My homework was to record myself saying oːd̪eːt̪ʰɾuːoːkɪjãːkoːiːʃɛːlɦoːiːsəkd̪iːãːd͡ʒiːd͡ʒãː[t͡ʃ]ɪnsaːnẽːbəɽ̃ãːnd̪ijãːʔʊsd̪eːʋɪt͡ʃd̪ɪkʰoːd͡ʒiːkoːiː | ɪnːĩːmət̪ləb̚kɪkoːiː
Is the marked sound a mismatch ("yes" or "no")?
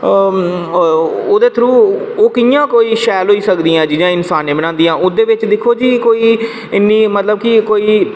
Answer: yes